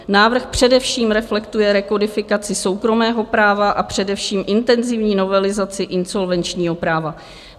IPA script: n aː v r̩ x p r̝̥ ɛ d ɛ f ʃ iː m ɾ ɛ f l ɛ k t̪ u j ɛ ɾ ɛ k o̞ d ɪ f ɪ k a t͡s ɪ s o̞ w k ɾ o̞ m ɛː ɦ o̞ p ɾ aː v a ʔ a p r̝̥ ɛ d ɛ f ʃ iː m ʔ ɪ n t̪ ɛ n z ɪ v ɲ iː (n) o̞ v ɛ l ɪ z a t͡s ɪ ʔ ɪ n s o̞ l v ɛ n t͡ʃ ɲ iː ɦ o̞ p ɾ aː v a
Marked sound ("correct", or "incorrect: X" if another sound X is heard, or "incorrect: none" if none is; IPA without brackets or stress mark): correct